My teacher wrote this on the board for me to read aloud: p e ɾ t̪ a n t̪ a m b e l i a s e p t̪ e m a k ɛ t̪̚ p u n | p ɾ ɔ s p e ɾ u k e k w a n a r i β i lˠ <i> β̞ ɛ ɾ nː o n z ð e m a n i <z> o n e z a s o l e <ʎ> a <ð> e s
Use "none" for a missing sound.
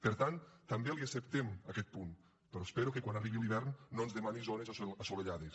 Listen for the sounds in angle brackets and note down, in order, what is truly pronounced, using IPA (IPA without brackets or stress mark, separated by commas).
i, z, ʎ, ð